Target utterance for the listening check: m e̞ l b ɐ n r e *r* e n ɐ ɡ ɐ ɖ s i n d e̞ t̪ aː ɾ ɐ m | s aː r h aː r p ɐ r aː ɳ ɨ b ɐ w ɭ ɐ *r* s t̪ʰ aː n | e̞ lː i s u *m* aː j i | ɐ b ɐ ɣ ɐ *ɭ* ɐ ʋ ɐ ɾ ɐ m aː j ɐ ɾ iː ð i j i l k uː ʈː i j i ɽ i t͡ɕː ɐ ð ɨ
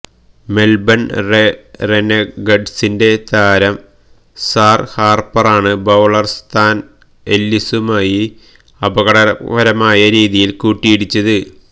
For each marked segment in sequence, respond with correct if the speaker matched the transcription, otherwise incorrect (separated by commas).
correct, correct, correct, incorrect